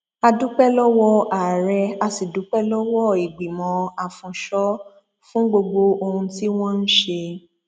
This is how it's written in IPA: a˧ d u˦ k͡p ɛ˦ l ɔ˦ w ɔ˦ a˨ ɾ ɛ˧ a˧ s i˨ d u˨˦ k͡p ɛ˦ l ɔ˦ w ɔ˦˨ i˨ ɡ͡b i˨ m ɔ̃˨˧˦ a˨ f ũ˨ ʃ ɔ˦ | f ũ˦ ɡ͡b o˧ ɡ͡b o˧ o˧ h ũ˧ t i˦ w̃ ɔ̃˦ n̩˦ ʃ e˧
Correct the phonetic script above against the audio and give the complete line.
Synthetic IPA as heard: a˧ d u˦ k͡p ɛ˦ l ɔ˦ w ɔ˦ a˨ ɾ ɛ˧ a˧ s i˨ d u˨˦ k͡p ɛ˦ l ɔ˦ w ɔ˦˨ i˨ ɡ͡b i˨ m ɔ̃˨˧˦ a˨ f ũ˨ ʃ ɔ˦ | f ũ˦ ɡ͡b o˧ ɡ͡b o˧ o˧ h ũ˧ t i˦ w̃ ɔ̃˦ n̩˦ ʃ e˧